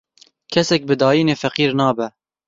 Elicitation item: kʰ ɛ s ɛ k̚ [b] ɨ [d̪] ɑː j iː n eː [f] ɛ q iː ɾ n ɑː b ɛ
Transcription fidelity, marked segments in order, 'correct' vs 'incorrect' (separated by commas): correct, correct, correct